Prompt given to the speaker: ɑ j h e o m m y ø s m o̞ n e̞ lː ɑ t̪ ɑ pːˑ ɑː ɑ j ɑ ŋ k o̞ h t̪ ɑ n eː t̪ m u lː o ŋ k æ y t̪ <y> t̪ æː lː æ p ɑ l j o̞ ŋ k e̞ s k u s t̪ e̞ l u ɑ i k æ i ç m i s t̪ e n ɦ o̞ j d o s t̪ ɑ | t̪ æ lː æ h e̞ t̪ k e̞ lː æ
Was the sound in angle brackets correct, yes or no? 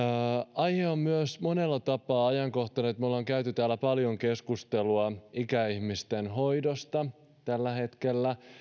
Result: yes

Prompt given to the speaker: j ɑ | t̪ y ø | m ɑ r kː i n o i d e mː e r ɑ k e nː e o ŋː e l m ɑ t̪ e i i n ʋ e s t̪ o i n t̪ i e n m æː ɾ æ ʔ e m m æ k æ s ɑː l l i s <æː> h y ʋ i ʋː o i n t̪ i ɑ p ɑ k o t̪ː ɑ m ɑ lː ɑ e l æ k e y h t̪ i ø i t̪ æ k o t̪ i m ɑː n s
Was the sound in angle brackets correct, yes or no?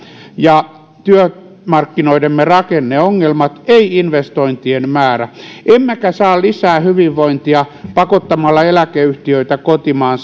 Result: yes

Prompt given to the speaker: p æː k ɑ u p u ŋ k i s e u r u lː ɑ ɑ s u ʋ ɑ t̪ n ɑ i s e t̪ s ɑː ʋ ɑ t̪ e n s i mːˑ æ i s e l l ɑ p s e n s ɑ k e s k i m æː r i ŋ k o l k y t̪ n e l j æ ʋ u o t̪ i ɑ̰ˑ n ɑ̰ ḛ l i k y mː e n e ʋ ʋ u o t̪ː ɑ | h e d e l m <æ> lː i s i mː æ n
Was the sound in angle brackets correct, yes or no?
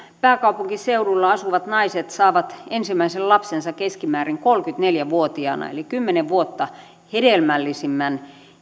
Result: yes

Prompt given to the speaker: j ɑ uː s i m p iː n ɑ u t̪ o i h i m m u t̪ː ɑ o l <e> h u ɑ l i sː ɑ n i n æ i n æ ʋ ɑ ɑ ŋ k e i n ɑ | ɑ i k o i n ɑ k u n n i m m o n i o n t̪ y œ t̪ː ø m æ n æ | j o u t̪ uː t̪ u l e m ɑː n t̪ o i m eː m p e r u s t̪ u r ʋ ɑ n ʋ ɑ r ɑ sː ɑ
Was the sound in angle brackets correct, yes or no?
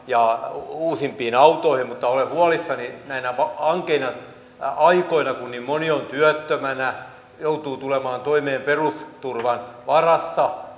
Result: yes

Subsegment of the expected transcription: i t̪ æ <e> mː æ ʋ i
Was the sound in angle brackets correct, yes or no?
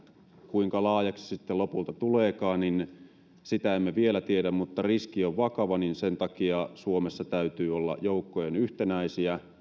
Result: yes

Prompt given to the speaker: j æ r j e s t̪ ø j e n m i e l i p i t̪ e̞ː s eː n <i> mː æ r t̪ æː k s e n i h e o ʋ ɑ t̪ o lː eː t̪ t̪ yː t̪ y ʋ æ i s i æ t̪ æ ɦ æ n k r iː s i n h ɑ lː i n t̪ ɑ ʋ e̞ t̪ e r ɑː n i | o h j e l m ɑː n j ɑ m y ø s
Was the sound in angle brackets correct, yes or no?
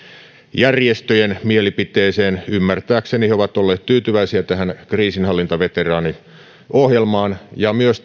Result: no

